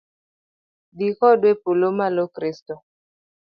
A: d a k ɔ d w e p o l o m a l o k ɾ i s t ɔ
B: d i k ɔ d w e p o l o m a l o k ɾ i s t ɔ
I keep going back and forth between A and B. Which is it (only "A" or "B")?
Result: B